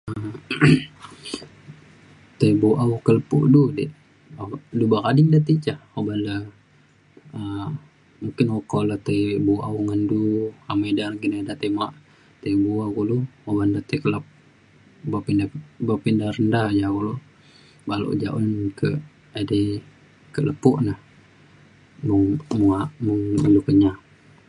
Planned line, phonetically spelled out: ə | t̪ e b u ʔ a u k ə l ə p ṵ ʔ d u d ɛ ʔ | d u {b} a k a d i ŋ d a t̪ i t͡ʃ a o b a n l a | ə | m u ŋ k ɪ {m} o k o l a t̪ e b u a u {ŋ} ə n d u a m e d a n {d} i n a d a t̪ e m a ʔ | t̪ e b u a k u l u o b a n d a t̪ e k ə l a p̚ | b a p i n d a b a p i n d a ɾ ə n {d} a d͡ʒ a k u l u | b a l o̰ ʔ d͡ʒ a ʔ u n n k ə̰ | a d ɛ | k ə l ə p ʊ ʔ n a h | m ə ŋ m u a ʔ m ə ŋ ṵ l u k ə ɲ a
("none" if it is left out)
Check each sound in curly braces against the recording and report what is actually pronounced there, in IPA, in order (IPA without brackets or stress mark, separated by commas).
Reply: b, n, ŋ, ɡ, d